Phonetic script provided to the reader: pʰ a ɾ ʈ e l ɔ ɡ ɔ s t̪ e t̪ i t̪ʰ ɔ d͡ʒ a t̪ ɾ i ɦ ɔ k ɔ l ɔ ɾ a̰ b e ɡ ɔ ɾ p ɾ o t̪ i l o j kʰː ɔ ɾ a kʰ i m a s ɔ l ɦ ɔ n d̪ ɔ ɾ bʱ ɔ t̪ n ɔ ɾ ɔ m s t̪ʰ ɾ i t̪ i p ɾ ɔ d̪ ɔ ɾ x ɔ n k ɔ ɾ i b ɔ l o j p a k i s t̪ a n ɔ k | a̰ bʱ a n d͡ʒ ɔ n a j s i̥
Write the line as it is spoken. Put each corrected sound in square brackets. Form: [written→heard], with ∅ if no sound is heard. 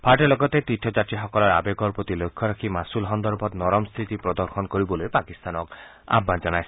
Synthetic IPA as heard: pʰ a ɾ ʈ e l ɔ ɡ ɔ [s→∅] t̪ e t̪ i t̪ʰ ɔ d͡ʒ a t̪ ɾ i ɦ ɔ k ɔ l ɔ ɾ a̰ b e ɡ ɔ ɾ p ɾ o t̪ i l o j kʰː ɔ ɾ a kʰ i m a s [ɔ→u] l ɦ ɔ n d̪ ɔ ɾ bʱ ɔ t̪ n ɔ ɾ ɔ m s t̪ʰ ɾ i t̪ i p ɾ ɔ d̪ ɔ ɾ x ɔ n k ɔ ɾ i b ɔ l o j p a k i s t̪ a n ɔ k | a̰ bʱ a n d͡ʒ ɔ n a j s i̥